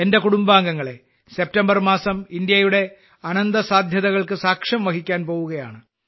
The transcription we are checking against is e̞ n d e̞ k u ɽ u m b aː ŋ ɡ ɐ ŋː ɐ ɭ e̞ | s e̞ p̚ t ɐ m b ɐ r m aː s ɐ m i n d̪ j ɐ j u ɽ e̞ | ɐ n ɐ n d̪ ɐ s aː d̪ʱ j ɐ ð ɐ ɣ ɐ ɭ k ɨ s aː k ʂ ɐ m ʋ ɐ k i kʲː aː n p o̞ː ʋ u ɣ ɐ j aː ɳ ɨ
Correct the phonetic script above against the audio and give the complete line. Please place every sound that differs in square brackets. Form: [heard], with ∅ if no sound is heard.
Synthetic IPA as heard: e̞ n d e̞ k u ɽ u m b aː ŋ ɡ ɐ ŋː ɐ ɭ e̞ | s e̞ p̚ t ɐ m b ɐ r m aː s ɐ m i n d̪ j ɐ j u ɽ e̞ | ɐ n ɐ n d̪ ɐ s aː d̪ʱ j ɐ ð ɐ ɣ ɐ ɭ k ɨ s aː k ʂ ɐ m ʋ ɐ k i kʲː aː n p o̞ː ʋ u ɣ ɐ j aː ɳ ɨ